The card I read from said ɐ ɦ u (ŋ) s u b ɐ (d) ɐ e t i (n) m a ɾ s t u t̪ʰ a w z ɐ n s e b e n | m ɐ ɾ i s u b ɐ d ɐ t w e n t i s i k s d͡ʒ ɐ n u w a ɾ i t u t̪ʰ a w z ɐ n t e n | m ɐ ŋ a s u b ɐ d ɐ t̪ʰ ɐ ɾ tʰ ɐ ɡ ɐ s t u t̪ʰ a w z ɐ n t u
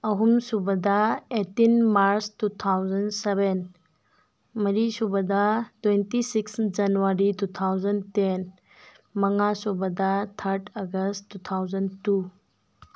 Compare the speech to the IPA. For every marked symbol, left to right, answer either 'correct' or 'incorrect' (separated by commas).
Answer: incorrect, correct, correct